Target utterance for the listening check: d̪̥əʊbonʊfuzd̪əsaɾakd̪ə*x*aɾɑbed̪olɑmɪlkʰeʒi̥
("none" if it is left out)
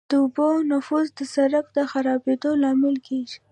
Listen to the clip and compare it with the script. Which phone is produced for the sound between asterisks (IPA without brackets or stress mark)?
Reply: x